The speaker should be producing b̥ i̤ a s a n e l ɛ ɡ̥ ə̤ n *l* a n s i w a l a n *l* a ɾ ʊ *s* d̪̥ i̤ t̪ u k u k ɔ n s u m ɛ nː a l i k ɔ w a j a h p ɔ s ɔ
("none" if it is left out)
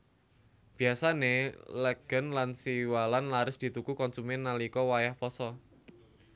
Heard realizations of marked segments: l, l, s

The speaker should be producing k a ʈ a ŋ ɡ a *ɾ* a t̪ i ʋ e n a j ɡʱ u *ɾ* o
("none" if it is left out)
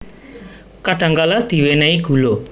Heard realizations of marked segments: l, l

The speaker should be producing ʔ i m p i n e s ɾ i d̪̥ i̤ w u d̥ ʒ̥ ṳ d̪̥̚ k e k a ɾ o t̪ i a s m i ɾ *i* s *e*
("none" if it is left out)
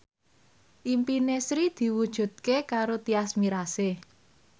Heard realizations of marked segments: a, e

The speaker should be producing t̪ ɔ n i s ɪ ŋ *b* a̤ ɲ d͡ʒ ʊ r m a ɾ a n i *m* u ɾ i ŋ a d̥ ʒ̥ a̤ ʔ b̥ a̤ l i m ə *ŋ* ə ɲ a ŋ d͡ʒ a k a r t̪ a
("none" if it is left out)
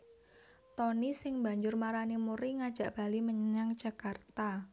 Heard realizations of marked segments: b, m, ɲ

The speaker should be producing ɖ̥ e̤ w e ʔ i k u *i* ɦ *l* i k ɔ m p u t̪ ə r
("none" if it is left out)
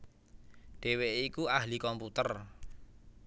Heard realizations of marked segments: a, l

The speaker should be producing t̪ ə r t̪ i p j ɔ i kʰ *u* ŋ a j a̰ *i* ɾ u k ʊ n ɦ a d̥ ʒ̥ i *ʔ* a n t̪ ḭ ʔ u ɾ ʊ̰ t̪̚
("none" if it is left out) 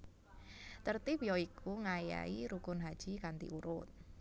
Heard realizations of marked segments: u, i, k

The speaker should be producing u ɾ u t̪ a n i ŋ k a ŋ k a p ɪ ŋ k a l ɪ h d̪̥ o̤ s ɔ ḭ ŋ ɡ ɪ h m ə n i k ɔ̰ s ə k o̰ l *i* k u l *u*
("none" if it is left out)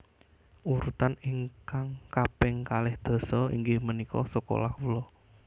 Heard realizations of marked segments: a, ɔ

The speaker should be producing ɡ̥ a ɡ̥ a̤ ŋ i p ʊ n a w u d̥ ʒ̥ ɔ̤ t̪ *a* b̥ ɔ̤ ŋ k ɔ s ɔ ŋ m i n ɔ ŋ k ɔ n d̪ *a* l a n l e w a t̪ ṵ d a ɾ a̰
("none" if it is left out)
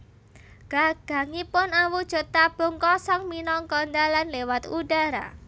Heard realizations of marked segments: a, a

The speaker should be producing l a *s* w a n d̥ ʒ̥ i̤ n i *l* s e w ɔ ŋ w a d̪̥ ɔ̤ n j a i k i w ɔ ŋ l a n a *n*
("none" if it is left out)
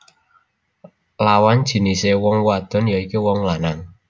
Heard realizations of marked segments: none, none, ŋ

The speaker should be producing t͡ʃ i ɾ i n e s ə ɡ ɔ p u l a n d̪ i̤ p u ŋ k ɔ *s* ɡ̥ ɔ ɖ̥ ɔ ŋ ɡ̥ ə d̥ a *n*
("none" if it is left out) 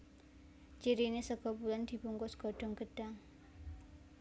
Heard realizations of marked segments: s, ŋ

